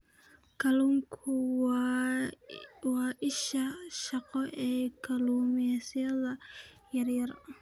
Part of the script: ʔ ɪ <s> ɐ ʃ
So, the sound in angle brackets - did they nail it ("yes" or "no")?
no